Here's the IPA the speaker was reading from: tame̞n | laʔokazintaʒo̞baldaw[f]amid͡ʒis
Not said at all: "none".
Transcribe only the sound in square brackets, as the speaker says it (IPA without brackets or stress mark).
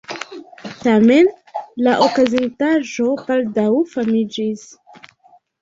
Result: f